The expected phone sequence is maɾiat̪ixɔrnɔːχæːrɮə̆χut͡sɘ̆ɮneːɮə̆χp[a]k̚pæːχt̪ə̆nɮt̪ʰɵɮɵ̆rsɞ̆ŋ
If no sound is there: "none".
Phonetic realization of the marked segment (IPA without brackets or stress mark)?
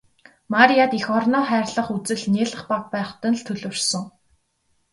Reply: a